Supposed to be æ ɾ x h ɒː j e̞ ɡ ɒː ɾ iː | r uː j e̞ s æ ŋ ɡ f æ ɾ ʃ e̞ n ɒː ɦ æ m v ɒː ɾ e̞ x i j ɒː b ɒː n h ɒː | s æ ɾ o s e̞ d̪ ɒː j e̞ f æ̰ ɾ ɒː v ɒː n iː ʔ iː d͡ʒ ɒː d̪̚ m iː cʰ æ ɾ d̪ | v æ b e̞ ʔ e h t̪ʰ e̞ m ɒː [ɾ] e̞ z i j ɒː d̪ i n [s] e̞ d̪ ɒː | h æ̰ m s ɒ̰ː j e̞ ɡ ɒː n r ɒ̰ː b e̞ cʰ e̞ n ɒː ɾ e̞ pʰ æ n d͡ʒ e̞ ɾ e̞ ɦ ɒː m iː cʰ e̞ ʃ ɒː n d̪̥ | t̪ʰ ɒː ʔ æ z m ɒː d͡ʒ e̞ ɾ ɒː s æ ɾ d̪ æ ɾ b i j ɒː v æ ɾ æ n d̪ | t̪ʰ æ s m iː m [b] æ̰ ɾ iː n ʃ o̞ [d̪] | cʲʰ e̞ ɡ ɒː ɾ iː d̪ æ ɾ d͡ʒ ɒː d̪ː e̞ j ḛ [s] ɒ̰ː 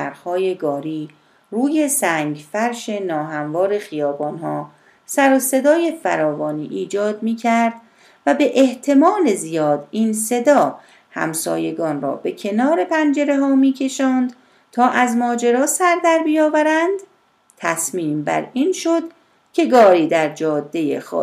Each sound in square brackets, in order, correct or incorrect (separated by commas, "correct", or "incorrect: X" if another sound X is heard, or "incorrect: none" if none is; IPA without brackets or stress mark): incorrect: l, correct, correct, correct, incorrect: x